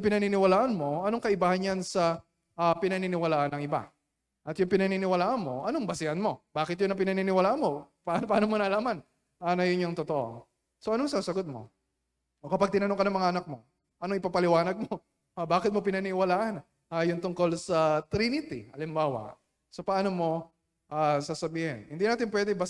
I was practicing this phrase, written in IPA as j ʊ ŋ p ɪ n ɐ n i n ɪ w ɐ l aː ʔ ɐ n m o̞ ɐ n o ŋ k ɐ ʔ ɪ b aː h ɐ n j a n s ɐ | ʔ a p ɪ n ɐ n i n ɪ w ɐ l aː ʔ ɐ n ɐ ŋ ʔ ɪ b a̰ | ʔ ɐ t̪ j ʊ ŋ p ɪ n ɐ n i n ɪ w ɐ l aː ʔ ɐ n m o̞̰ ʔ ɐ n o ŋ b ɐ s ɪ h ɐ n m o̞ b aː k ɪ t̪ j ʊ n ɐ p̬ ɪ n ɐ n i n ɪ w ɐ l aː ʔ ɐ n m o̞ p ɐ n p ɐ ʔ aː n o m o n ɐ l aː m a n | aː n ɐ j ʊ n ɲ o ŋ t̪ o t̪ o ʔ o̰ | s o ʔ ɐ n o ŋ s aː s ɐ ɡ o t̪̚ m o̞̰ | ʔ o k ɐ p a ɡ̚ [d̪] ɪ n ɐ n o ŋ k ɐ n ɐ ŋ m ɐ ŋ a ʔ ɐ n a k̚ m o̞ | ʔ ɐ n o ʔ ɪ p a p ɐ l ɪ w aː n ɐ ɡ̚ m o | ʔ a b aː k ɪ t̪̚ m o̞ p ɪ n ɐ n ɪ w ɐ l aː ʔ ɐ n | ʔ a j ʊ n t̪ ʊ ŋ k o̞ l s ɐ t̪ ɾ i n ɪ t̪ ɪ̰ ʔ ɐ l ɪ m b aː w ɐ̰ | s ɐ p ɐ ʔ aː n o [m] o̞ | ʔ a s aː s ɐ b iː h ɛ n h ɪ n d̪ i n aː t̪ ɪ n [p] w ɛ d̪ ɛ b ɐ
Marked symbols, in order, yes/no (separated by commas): no, yes, yes